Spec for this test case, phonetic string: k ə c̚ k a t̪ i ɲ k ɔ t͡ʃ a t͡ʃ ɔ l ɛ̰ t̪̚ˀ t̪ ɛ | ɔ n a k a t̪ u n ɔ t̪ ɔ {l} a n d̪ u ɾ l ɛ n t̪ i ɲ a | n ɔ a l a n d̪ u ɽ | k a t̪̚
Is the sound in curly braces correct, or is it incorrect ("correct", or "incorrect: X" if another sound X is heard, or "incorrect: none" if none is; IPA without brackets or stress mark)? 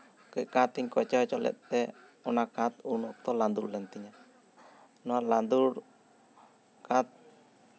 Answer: correct